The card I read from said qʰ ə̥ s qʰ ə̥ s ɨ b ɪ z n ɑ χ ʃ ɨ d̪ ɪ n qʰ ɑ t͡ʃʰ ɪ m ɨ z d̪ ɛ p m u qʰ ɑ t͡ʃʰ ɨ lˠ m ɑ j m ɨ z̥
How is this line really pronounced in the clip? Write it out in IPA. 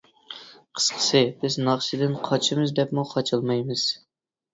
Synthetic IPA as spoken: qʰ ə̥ s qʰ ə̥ s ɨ b ɪ z n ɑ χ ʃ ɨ d̪ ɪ n qʰ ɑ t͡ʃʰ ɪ m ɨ z d̪ ɛ p m u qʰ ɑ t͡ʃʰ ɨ lˠ m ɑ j m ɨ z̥